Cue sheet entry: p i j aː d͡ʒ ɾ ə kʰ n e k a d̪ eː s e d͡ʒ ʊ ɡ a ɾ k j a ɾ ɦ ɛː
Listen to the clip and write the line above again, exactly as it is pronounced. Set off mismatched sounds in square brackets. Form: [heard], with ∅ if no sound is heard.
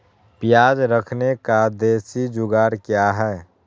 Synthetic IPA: p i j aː d͡ʒ ɾ ə kʰ n e k a d̪ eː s [i] d͡ʒ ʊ ɡ a ɾ k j a [∅] ɦ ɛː